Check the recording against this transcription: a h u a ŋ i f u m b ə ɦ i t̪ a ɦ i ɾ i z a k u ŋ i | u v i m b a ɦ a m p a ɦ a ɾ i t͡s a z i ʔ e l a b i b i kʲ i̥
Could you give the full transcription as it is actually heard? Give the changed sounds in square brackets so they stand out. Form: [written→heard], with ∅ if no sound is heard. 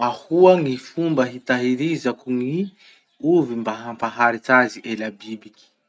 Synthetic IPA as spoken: a h u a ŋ i f u m b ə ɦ i t̪ a ɦ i ɾ i z a k u ŋ i | u v i m b a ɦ a m p a ɦ a ɾ i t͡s a z i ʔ e l a b i b i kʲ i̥